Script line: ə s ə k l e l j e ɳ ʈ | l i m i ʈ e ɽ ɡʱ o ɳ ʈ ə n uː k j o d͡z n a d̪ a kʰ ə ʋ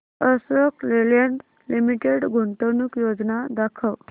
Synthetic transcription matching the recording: ə s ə k l e l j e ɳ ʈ | l i m i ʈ e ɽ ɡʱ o ɳ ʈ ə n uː k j o d͡z n a d̪ a kʰ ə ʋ

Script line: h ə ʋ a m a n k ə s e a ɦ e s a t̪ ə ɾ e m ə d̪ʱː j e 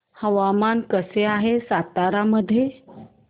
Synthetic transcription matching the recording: h ə ʋ a m a n k ə s e a ɦ e s a t̪ a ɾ a m ə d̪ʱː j e

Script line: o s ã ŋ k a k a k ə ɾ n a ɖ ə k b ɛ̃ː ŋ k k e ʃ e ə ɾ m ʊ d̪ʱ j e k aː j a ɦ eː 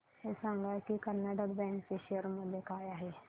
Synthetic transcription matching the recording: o s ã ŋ ɡ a k i k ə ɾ n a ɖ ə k b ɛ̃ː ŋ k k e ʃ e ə ɾ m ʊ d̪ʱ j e k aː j a ɦ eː

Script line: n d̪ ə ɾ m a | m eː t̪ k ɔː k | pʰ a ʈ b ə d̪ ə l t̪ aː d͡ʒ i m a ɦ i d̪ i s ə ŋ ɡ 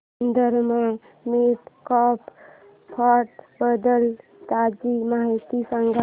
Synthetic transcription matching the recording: n d̪ ə ɾ m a | m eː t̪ k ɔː p | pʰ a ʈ b ə d̪ ə l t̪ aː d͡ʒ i m a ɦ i t̪ i s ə ŋ ɡ

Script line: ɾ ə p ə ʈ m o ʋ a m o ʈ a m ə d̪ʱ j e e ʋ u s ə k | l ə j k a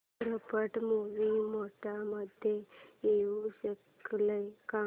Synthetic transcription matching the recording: ɾ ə p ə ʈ m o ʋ i m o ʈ a m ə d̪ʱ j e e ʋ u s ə k | l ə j k a

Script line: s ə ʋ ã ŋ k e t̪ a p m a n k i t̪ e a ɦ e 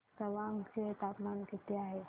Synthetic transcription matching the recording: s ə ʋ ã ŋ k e t̪ a p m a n k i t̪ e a ɦ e

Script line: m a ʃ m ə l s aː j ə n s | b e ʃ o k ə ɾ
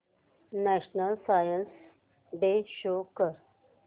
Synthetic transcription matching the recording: n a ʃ n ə l s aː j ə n s | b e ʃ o k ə ɾ

